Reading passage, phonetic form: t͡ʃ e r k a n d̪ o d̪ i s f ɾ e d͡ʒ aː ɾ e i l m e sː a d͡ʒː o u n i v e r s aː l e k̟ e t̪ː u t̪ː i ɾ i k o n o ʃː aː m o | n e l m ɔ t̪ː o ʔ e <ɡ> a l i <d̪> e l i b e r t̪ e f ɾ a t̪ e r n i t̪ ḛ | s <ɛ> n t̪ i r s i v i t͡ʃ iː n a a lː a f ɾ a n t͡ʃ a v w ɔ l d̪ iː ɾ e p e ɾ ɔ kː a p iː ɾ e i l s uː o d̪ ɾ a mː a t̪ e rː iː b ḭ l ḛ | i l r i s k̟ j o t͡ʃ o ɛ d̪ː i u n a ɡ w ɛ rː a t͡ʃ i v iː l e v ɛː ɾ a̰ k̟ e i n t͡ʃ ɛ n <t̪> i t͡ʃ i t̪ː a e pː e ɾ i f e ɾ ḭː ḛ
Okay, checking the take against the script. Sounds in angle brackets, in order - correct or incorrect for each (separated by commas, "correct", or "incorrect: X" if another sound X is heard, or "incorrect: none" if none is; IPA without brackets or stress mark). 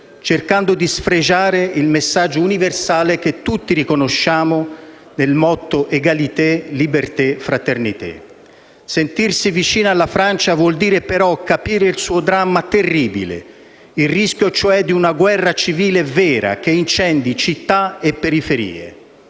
correct, incorrect: t̪, incorrect: e, incorrect: d̪